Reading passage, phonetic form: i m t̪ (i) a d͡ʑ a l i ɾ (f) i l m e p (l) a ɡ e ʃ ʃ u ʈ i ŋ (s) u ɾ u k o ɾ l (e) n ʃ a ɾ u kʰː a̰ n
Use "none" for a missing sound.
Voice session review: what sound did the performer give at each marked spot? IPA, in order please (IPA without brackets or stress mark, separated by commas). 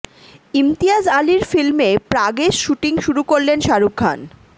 i, f, ɾ, ʃ, e